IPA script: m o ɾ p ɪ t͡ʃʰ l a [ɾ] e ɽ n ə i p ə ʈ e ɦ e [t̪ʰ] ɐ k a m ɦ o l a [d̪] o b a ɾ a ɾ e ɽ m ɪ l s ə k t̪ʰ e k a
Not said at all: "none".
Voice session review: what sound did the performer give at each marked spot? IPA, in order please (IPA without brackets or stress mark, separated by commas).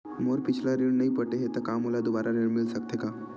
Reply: ɾ, t̪, d̪